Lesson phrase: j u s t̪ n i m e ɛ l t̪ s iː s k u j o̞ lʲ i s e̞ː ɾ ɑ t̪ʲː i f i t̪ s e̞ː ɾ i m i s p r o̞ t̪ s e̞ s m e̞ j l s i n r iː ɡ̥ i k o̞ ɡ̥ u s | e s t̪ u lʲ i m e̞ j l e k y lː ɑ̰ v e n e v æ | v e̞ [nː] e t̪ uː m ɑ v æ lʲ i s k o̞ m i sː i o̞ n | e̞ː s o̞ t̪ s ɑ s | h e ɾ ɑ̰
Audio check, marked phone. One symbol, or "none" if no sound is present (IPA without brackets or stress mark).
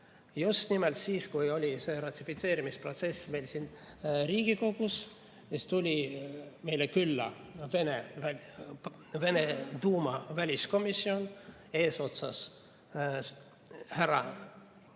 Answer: n